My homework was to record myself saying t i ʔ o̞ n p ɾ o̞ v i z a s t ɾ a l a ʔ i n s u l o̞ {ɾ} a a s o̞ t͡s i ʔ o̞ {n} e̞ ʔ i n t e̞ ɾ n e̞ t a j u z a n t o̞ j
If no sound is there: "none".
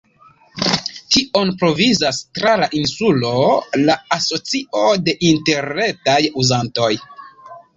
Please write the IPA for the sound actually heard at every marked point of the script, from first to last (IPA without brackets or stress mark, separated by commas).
l, d